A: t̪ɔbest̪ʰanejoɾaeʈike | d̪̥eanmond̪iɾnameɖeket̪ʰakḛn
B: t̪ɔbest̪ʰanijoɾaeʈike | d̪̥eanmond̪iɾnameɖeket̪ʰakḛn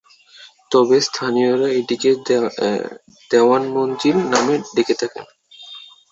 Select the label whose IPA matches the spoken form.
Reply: B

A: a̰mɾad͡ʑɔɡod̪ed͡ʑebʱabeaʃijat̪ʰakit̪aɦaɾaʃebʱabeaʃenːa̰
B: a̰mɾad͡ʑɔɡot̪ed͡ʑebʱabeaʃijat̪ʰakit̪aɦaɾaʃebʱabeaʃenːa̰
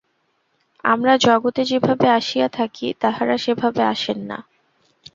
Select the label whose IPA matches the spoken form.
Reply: B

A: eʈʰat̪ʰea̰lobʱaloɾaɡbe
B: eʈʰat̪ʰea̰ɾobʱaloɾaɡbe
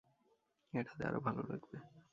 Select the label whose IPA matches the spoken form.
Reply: B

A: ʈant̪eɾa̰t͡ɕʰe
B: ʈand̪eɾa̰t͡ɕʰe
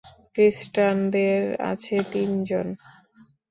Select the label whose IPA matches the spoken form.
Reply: B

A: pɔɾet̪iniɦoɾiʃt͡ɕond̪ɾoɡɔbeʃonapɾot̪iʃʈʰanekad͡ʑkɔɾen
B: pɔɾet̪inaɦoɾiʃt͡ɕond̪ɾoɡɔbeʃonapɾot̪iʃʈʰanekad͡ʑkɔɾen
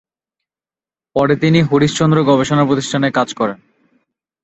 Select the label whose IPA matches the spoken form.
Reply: A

